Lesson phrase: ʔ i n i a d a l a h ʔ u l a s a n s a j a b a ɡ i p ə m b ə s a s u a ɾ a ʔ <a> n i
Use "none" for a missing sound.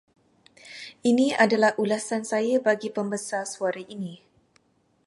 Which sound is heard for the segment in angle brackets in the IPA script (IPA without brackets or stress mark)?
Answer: i